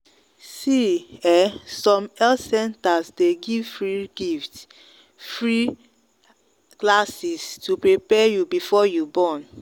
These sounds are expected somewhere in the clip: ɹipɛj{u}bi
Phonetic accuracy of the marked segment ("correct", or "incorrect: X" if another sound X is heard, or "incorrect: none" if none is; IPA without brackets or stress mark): correct